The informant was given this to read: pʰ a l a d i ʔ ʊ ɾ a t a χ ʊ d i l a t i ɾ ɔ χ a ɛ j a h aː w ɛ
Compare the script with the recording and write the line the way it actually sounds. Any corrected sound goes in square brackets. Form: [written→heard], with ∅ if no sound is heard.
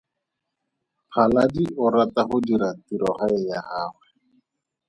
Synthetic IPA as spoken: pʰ a l a d i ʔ ʊ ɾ a t a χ ʊ d i [l→ɾ] a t i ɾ ɔ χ a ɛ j a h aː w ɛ